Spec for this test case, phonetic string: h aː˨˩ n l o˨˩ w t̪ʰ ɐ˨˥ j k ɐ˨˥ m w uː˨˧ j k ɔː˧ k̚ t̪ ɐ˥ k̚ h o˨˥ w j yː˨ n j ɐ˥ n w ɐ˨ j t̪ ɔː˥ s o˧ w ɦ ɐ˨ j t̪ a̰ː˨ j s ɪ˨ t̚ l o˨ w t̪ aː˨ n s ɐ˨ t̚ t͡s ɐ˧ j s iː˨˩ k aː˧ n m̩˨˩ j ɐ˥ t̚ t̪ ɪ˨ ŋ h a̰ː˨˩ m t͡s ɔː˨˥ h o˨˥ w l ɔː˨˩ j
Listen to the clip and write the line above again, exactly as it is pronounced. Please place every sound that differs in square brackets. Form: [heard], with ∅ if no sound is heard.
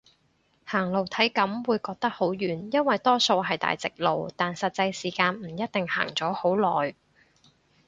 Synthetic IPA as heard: h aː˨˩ [ŋ] l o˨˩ w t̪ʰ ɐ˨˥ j k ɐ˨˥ m w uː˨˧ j k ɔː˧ k̚ t̪ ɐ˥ k̚ h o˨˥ w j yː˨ n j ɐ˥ n w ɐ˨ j t̪ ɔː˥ s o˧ w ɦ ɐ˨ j t̪ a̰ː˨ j [t͡s] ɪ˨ [k̚] l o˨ w t̪ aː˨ n s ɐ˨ t̚ t͡s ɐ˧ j s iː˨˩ k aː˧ n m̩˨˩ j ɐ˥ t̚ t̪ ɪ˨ ŋ h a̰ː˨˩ [ŋ] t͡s ɔː˨˥ h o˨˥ w l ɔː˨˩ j